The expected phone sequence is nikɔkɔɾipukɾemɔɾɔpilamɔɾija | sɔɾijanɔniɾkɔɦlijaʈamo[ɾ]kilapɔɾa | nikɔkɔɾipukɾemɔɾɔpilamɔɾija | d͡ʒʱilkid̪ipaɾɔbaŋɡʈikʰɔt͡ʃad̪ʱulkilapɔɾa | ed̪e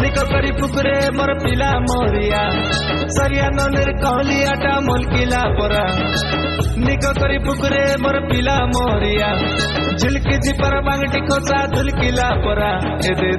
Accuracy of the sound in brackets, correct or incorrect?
incorrect